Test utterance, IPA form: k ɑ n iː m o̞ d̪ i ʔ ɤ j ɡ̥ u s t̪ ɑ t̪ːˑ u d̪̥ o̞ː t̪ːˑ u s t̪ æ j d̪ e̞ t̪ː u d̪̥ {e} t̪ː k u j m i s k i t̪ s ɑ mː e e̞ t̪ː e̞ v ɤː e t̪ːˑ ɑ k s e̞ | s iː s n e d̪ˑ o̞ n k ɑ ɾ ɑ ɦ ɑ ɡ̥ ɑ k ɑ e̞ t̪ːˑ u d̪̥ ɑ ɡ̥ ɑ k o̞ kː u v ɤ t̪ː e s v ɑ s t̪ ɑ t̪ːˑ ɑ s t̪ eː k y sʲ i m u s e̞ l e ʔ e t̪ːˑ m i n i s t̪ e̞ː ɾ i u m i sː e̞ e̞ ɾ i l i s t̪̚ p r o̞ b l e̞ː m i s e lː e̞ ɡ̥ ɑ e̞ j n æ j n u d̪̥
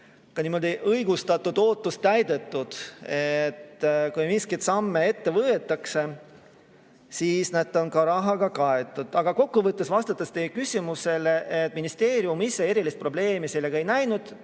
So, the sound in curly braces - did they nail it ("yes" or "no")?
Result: yes